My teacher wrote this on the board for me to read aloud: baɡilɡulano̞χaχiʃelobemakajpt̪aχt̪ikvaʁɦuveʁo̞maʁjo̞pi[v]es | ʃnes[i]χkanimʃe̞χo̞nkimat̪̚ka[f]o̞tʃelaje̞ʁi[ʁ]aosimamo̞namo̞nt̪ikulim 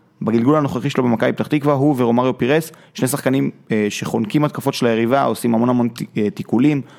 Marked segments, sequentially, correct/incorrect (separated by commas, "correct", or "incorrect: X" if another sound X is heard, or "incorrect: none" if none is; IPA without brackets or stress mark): incorrect: ʁ, incorrect: a, correct, incorrect: v